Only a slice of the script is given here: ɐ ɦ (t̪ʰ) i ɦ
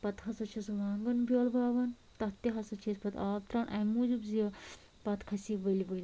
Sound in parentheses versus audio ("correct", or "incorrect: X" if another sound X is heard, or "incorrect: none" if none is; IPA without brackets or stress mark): incorrect: t̪